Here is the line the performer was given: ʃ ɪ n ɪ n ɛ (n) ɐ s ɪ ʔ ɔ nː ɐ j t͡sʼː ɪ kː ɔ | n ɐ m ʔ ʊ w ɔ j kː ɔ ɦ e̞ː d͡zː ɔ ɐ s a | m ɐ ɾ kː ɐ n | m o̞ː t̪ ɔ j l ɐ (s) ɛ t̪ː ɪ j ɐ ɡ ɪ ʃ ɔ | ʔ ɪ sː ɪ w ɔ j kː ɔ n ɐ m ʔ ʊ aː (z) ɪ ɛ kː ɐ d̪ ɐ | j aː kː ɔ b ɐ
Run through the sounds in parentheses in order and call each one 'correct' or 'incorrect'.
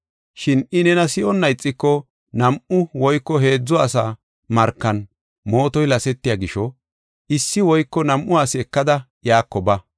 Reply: correct, correct, incorrect

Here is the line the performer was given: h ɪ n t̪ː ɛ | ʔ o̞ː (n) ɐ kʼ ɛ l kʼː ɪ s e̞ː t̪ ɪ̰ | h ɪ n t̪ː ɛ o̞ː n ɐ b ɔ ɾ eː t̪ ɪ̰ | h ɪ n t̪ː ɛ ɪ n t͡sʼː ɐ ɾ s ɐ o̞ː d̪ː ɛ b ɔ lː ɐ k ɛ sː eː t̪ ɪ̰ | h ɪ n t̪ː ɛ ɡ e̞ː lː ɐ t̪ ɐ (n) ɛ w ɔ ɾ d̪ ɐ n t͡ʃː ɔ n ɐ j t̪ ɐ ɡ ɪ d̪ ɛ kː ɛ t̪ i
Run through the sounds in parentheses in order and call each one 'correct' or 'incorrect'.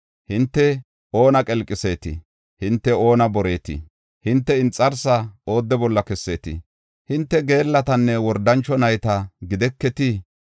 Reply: correct, incorrect

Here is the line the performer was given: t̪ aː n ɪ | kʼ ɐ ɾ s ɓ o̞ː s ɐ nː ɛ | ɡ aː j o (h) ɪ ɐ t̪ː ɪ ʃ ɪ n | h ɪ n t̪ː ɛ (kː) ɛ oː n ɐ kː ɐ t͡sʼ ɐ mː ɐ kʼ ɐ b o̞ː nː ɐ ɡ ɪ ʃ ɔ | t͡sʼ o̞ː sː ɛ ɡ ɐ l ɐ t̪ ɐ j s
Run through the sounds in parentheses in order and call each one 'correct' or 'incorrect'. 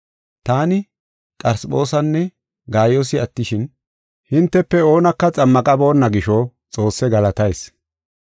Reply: incorrect, incorrect

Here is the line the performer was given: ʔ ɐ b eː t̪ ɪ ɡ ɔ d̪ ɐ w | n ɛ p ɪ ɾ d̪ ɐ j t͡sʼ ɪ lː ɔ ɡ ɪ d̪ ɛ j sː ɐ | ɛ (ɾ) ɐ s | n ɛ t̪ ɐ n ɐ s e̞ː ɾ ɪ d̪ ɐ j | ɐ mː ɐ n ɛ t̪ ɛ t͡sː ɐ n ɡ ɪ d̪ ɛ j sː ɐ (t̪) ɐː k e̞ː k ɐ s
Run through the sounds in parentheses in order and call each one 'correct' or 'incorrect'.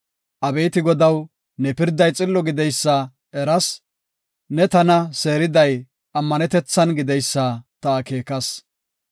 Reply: correct, correct

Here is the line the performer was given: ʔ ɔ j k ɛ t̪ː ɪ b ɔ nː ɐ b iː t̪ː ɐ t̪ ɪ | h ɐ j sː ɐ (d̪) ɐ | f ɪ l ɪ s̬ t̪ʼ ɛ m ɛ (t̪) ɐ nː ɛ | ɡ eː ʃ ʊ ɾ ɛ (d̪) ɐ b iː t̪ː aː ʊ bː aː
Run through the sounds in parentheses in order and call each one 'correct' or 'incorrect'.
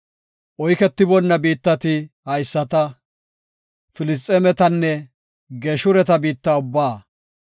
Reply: incorrect, correct, incorrect

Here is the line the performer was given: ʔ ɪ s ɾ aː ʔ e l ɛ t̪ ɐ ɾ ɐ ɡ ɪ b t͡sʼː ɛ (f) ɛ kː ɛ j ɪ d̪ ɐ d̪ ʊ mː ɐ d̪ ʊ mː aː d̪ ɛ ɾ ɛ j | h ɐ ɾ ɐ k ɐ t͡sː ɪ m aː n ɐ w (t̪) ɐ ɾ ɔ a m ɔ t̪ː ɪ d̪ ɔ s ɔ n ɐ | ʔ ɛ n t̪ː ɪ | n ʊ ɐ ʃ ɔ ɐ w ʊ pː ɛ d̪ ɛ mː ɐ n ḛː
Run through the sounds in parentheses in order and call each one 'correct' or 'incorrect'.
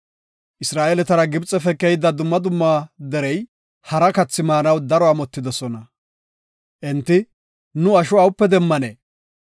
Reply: correct, incorrect

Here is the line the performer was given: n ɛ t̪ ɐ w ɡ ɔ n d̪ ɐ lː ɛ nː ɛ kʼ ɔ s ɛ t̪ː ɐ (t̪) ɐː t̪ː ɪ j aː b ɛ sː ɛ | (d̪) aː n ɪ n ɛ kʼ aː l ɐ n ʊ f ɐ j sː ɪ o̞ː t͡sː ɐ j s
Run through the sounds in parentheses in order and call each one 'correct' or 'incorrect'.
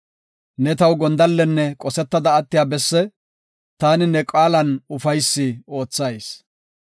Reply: incorrect, incorrect

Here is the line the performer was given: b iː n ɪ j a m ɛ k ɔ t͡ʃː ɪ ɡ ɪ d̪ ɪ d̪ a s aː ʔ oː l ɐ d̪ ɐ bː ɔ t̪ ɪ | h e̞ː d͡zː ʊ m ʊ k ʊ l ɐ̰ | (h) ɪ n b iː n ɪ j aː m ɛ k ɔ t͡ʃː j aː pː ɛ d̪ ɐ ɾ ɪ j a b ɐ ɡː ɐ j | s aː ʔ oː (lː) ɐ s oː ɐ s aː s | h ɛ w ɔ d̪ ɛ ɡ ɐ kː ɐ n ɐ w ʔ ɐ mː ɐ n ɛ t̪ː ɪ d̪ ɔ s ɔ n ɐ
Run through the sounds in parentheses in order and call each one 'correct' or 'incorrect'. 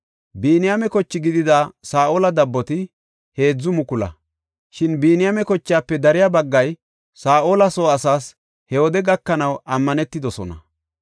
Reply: incorrect, incorrect

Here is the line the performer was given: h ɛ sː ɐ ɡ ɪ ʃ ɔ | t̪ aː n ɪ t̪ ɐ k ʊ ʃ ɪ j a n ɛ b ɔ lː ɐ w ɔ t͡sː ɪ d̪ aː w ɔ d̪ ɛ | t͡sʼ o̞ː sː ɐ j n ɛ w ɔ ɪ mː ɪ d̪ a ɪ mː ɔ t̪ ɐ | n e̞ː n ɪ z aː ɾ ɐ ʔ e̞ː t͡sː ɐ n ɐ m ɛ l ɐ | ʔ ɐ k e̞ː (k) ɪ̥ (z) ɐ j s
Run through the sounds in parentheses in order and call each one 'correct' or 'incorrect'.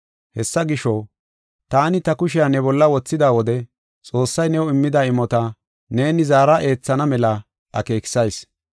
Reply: correct, incorrect

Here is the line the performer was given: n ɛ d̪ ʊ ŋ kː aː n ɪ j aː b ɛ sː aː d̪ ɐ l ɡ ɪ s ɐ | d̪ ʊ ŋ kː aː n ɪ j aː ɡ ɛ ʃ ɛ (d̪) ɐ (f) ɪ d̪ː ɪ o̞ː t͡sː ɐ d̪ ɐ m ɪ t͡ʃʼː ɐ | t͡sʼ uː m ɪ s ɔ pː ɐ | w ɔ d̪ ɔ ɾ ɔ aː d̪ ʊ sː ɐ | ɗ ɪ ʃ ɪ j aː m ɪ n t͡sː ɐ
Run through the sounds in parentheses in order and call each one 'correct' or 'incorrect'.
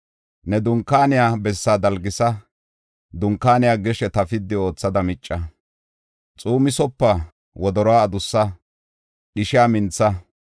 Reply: incorrect, correct

